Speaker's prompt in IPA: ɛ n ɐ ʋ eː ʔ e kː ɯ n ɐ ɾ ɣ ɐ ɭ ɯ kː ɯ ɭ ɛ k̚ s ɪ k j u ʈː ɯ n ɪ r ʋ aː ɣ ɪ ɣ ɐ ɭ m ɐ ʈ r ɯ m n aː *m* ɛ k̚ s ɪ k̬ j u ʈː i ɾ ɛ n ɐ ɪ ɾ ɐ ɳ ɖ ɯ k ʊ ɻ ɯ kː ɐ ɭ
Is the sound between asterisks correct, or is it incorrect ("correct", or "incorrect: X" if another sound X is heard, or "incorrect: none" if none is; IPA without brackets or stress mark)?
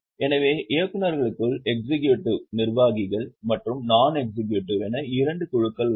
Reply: incorrect: n